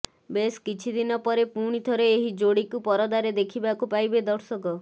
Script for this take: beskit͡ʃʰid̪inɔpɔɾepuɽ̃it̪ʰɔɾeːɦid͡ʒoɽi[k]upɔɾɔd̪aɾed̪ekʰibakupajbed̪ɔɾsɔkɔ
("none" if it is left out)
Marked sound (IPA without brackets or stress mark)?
k